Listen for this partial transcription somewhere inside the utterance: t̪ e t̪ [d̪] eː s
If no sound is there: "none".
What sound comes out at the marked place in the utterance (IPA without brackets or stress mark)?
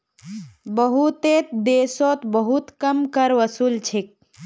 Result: d̪